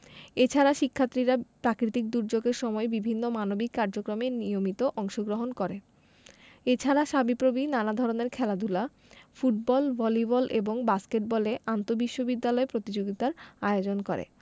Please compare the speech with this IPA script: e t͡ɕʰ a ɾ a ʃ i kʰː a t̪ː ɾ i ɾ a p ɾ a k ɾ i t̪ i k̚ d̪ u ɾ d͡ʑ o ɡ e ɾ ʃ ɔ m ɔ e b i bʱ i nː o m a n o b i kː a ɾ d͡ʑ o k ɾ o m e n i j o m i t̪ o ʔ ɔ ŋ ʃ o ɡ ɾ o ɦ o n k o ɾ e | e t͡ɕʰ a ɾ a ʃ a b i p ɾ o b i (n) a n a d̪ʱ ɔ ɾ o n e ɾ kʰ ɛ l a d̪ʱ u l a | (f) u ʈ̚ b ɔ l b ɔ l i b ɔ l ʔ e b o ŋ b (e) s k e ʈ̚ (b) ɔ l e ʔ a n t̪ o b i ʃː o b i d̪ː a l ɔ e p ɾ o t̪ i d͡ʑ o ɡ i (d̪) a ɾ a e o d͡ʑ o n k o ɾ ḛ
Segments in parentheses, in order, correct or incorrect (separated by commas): correct, correct, incorrect, correct, incorrect